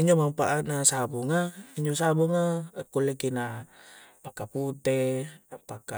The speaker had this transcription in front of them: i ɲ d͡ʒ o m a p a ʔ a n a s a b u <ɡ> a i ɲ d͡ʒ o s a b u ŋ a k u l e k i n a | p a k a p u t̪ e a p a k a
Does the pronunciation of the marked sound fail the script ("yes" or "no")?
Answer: yes